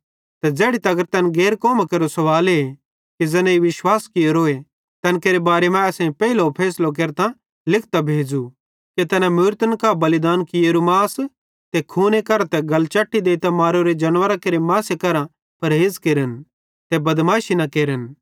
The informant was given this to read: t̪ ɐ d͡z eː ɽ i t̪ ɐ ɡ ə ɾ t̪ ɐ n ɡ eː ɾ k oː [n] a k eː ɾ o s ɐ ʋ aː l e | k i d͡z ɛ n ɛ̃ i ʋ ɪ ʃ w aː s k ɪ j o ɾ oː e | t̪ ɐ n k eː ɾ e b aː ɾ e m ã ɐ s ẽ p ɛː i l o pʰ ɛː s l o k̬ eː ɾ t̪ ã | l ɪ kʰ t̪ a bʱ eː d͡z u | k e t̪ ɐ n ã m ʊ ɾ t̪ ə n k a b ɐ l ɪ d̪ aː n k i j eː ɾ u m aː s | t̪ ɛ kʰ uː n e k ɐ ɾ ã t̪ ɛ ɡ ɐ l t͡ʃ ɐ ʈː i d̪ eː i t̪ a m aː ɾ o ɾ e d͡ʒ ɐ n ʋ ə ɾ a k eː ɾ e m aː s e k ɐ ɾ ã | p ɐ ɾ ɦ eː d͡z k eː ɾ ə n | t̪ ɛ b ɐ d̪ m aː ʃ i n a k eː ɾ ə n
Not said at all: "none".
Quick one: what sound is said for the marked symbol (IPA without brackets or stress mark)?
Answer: m